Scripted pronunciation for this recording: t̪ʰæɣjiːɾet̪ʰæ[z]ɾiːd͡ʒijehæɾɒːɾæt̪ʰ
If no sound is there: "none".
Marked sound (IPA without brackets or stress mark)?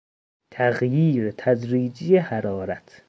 z